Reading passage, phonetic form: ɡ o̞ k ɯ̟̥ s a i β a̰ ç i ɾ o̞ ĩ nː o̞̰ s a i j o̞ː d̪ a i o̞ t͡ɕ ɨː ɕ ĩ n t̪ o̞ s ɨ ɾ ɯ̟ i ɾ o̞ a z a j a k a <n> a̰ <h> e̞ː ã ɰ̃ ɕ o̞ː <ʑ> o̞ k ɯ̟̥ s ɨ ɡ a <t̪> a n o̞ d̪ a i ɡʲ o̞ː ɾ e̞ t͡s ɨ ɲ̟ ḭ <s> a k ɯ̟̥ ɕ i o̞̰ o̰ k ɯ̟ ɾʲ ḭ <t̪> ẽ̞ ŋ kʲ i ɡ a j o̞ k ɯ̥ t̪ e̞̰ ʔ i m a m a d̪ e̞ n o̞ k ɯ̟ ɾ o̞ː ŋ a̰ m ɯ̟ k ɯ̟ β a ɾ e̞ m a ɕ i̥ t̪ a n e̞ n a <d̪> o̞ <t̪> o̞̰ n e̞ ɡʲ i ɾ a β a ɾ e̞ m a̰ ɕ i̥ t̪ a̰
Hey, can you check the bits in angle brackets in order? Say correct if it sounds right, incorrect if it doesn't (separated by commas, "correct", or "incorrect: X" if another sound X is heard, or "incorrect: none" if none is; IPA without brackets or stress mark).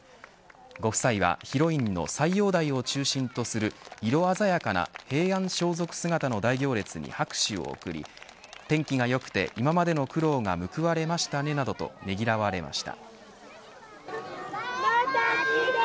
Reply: correct, correct, incorrect: z, correct, incorrect: h, correct, correct, correct